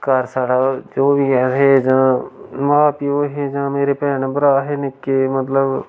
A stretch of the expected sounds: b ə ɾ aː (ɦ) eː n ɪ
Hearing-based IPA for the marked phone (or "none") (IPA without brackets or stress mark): ɦ